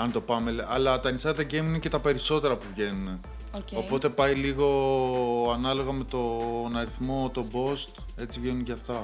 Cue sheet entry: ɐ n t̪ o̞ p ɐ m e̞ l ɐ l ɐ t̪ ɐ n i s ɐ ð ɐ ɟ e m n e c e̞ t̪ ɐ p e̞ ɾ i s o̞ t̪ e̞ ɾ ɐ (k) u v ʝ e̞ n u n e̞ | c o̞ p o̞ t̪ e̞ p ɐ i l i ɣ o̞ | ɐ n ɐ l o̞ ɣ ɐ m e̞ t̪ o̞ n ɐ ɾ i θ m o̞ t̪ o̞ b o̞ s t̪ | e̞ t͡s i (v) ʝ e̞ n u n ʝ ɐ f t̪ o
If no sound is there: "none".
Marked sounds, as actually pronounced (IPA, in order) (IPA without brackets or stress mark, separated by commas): p, v